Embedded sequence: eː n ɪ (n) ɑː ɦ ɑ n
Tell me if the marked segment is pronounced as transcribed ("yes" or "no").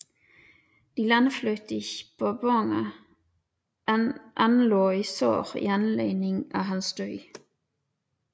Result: no